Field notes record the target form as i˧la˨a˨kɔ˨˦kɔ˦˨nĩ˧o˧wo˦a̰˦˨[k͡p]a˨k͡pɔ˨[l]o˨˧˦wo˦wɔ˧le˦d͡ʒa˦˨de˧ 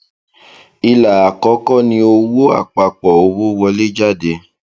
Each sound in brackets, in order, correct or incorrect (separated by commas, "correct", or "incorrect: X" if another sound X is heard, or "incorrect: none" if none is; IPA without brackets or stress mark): correct, incorrect: none